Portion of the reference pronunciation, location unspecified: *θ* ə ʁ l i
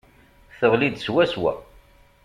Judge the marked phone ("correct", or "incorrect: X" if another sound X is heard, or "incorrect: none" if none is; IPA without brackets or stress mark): correct